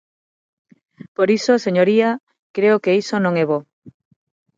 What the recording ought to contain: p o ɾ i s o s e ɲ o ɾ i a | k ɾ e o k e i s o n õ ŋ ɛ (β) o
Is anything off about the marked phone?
no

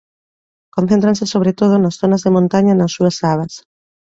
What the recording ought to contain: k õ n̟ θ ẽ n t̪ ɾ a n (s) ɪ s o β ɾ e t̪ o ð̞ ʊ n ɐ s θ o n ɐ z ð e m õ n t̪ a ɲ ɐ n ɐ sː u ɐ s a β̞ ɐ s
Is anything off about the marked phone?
no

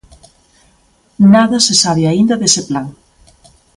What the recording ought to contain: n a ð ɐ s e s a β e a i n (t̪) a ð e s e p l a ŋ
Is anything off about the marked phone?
yes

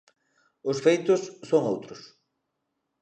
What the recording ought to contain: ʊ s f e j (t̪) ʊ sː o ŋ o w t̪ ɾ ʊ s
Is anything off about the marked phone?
no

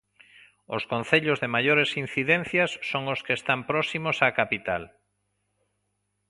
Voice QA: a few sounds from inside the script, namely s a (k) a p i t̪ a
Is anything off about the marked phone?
no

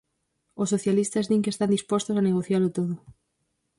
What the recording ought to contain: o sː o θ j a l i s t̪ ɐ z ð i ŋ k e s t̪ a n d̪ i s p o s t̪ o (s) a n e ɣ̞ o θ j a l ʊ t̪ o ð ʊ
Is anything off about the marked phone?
no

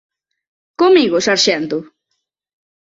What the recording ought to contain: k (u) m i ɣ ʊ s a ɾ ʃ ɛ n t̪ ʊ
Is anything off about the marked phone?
yes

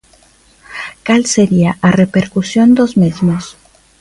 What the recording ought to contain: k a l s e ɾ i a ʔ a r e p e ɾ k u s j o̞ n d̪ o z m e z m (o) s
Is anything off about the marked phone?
no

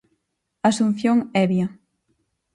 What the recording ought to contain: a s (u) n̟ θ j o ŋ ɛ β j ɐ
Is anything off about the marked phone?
no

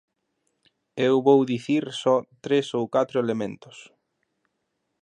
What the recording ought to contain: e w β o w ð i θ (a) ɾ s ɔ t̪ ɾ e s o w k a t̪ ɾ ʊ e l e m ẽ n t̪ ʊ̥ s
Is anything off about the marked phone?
yes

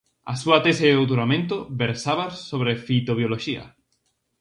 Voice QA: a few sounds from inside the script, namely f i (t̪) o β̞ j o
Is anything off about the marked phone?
no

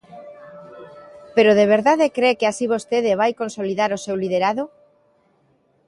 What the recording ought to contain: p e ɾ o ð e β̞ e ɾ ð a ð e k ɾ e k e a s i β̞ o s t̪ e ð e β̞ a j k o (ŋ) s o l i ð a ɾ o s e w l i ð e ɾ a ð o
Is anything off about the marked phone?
yes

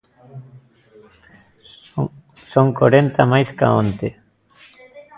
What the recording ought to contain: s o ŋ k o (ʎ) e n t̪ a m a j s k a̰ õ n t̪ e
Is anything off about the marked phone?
yes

